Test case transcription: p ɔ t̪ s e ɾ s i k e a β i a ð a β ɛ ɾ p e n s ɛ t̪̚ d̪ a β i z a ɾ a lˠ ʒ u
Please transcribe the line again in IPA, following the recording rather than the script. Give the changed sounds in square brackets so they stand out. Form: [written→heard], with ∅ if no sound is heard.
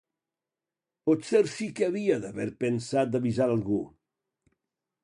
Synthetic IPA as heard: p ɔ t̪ s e ɾ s i k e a β i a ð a β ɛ ɾ p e n s [ɛ→a] t̪̚ d̪ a β i z a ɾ a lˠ [ʒ→ɣ] u